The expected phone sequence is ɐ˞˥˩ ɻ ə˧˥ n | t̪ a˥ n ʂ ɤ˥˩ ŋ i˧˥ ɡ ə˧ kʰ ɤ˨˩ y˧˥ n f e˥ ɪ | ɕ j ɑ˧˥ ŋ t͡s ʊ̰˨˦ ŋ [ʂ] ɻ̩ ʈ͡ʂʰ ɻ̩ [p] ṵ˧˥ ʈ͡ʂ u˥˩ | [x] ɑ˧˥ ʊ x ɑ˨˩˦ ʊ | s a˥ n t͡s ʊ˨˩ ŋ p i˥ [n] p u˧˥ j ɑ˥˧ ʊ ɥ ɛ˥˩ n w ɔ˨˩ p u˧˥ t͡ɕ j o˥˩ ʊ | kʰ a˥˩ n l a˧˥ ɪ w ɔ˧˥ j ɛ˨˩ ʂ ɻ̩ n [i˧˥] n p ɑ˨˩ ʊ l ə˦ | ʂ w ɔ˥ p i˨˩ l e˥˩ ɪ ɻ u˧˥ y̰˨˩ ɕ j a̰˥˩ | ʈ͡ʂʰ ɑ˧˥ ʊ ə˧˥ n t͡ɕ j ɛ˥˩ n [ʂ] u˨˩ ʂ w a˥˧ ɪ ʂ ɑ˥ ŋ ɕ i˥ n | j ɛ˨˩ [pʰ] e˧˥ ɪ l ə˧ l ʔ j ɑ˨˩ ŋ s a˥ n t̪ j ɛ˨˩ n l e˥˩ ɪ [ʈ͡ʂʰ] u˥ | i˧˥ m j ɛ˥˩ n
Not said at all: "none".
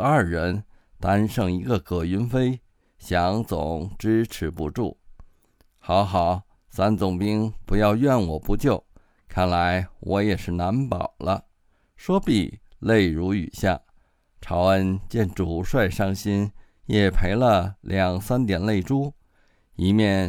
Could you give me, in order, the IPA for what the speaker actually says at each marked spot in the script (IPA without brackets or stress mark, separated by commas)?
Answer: ʈ͡ʂ, p, x, ŋ, a˧˥, ʈ͡ʂ, pʰ, ʈ͡ʂ